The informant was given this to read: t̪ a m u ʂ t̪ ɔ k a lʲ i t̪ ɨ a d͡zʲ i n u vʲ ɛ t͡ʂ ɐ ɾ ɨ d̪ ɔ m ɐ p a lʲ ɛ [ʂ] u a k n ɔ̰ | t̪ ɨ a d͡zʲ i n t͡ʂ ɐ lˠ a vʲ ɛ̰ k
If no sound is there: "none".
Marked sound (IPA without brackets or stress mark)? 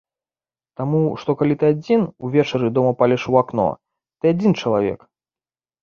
ʂ